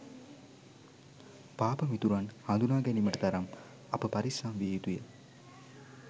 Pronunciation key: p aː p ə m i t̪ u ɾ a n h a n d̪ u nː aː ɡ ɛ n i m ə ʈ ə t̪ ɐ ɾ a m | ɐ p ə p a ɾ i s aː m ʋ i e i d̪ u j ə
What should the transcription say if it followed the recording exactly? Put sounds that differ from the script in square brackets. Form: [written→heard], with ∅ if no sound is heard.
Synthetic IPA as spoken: p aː p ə m i t̪ u ɾ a n h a n d̪ u [nː→n] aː ɡ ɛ n i m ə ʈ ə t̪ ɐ ɾ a m | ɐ p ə p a ɾ i s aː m ʋ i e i [d̪→t̪] u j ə